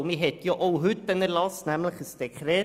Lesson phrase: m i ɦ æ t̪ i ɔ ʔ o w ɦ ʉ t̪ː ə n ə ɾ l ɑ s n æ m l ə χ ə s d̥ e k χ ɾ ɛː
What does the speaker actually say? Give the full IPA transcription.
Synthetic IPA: m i ɦ ɛ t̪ j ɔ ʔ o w ɦ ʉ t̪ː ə n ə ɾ l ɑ s n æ m l ə χ ə s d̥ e k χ ɾ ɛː